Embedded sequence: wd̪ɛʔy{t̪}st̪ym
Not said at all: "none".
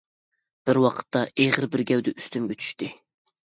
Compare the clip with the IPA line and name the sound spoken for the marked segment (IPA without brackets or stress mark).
none